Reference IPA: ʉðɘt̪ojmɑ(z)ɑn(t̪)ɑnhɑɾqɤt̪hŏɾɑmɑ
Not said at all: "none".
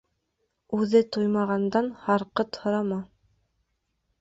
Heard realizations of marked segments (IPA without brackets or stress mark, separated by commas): ʁ, d̪